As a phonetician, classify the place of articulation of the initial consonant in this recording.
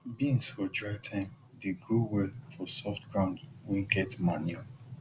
labial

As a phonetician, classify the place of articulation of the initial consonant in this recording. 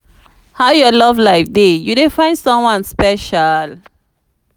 glottal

